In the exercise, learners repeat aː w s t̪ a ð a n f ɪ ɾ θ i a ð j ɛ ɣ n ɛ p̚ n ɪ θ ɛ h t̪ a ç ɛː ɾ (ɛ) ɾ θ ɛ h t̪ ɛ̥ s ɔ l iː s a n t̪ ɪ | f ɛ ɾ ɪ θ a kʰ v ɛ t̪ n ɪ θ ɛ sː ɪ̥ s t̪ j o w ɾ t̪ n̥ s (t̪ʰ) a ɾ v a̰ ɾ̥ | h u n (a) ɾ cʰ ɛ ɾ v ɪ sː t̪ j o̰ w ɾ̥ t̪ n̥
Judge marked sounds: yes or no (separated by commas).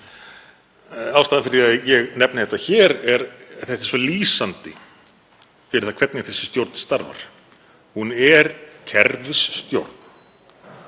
yes, no, no